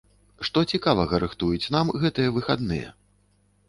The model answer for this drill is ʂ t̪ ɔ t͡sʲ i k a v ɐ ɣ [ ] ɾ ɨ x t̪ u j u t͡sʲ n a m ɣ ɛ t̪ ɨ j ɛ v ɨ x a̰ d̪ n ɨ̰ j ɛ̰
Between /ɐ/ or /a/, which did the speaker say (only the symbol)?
ɐ